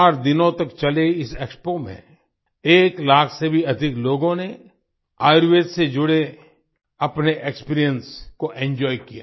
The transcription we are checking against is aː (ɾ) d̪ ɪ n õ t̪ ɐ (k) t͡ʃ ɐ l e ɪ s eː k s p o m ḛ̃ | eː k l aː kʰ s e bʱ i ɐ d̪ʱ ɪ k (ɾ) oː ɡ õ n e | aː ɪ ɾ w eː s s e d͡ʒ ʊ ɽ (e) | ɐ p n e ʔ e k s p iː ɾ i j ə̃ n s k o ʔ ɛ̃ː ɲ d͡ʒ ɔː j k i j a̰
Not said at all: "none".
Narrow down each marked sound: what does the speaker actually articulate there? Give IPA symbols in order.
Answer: ɾ, k, l, e

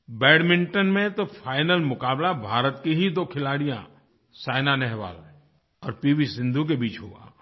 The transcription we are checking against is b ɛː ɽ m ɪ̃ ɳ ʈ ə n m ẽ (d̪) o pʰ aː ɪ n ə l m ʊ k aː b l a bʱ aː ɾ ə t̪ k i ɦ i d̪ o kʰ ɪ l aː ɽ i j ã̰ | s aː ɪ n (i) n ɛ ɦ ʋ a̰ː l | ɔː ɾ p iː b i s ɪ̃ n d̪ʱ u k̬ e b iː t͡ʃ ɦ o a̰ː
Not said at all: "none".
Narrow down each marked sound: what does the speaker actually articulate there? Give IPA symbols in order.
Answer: t̪, a

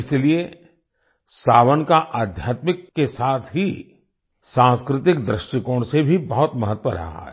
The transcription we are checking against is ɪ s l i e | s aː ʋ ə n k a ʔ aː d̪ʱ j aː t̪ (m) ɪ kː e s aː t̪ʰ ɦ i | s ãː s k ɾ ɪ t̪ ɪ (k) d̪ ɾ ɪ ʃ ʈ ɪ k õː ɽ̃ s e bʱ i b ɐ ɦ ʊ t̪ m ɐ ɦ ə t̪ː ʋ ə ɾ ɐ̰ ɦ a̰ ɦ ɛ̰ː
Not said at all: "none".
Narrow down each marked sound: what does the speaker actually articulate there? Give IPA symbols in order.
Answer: m, k

